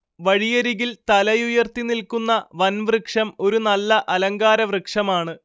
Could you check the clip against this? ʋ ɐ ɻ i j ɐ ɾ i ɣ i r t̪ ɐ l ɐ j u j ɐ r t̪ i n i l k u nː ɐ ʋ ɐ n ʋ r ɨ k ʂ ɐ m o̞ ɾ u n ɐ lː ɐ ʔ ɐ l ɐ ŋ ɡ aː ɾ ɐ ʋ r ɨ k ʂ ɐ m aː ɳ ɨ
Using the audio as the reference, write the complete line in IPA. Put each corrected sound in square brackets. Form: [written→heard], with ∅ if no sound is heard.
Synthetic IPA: ʋ ɐ ɻ i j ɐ ɾ i ɣ i [r→l] t̪ ɐ l ɐ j u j ɐ r t̪ i n i l k u nː ɐ ʋ ɐ n ʋ r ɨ k ʂ ɐ m o̞ ɾ u n ɐ lː ɐ ʔ ɐ l ɐ ŋ ɡ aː ɾ ɐ ʋ r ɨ k ʂ ɐ m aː ɳ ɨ